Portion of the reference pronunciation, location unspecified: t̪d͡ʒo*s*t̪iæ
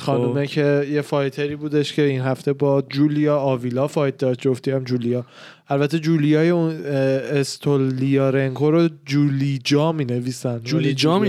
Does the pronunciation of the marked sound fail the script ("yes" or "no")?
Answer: yes